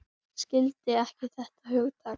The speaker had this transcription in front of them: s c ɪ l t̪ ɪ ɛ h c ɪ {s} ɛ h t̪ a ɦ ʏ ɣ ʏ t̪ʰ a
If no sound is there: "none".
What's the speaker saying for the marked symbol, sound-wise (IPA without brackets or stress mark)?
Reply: θ